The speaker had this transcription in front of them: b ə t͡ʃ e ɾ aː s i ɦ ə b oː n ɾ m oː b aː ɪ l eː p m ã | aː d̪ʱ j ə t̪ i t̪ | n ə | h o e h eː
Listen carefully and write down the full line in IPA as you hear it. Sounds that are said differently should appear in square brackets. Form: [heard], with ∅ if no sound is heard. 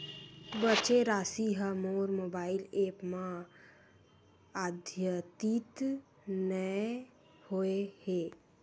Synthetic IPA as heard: b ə t͡ʃ e ɾ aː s i ɦ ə [m] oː [∅] ɾ m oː b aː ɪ l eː p m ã | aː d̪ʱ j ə t̪ i t̪ | n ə | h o e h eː